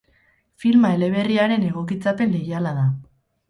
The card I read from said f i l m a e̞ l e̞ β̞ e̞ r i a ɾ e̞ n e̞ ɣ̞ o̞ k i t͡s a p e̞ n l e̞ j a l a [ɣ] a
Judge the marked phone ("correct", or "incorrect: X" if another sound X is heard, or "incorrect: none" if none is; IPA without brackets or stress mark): incorrect: ð